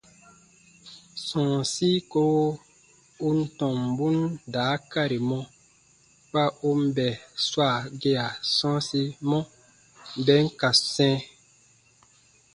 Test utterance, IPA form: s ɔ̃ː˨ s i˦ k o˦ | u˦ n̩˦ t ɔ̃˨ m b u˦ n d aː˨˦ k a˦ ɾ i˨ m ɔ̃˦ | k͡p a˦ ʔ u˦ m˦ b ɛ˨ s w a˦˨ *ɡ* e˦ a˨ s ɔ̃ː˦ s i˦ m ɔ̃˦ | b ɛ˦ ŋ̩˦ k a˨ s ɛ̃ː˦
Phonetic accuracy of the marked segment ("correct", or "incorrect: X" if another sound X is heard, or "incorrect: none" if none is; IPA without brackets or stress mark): correct